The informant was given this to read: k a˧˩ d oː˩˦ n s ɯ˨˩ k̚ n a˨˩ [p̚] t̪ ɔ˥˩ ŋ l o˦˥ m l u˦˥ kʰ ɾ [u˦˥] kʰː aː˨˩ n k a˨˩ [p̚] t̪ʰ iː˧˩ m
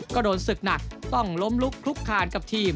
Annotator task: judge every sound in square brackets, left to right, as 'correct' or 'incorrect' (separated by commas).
incorrect, correct, correct